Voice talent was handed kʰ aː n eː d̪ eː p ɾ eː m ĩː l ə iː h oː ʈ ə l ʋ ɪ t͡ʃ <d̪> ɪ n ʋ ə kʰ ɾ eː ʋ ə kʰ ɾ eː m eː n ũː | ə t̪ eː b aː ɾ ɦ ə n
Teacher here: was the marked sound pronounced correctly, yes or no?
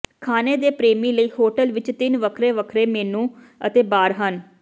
no